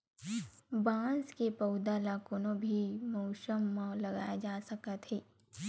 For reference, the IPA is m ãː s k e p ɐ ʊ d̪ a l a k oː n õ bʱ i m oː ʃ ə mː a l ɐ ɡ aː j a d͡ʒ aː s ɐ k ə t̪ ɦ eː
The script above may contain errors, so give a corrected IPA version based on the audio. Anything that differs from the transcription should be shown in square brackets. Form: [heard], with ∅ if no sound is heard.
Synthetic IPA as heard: [b] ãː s k e p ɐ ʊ d̪ a l a k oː n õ bʱ i m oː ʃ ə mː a l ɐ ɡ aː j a d͡ʒ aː s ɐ k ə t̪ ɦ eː